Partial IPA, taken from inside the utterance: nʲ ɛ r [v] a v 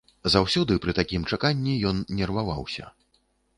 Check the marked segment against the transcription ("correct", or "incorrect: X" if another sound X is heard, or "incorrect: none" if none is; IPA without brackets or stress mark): correct